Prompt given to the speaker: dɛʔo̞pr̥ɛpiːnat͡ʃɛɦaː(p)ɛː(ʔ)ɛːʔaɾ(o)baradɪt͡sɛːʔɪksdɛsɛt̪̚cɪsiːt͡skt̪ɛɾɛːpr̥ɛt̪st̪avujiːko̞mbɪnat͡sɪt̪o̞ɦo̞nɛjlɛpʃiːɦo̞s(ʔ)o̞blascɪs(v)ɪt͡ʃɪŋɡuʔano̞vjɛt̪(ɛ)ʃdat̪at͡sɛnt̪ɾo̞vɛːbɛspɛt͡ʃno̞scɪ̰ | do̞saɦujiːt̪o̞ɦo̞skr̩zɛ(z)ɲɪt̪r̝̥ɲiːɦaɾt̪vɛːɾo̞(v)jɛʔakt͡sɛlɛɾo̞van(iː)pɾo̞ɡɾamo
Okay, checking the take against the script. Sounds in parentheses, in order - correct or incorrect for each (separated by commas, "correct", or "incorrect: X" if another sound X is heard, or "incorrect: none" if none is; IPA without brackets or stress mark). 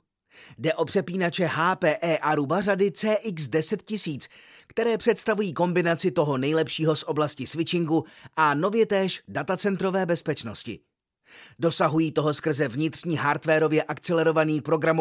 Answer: correct, correct, incorrect: u, correct, correct, incorrect: ɛː, incorrect: v, correct, correct